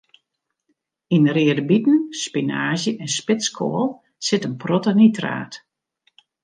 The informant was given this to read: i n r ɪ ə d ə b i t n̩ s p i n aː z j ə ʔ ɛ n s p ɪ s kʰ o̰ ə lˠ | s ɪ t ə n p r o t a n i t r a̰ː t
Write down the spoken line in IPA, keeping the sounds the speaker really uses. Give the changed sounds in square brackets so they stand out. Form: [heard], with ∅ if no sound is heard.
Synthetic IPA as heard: i n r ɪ ə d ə b i t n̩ s p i n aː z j ə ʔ ɛ n s p ɪ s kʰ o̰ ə lˠ | s ɪ t ə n p r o t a n i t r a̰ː t